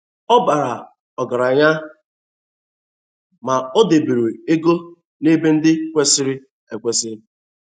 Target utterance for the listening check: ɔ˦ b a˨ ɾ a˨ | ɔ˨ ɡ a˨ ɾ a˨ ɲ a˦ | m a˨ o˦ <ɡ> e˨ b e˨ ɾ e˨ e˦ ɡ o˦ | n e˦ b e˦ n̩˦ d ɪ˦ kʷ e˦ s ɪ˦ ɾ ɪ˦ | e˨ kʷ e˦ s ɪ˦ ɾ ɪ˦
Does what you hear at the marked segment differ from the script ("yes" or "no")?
yes